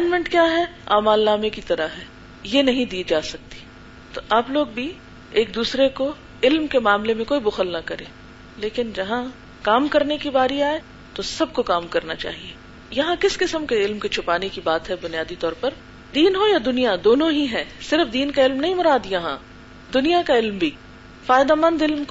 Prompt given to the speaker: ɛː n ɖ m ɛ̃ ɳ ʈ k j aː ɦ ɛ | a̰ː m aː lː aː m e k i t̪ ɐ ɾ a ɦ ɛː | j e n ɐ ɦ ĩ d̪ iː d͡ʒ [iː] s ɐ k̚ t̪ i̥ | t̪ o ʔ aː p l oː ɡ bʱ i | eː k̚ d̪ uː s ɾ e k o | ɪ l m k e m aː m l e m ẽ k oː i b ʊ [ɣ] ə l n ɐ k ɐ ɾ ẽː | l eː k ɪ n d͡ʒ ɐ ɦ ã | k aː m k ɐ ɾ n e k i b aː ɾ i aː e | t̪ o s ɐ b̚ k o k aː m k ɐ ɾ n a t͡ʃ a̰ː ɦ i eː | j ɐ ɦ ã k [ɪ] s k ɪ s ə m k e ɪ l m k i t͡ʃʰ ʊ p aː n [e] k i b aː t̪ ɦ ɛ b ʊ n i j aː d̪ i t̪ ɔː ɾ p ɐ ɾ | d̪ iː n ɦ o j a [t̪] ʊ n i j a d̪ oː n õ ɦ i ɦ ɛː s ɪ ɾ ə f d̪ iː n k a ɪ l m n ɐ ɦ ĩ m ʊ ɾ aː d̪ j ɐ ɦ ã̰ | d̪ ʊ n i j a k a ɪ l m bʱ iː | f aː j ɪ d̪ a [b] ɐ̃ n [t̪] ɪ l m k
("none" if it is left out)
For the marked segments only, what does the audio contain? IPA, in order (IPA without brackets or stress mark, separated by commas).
aː, x, ɪ, e, d̪, m, d̪